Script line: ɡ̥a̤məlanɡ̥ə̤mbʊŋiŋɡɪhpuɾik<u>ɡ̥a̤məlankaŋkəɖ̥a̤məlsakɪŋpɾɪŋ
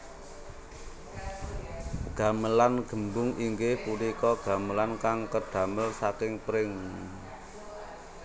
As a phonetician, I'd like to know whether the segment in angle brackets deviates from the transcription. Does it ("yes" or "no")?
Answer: yes